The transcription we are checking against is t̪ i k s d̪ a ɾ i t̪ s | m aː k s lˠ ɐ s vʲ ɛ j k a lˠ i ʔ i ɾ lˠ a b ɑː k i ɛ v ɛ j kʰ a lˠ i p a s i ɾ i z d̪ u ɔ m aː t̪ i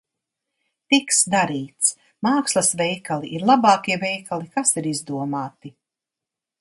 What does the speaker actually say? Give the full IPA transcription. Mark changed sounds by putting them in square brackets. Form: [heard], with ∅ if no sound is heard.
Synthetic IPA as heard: t̪ i k s d̪ a ɾ [iː] t̪ s | m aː k s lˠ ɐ s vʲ ɛ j k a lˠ i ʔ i ɾ lˠ a b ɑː k i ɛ v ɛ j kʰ a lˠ i [k] a s i ɾ i z d̪ u ɔ m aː t̪ i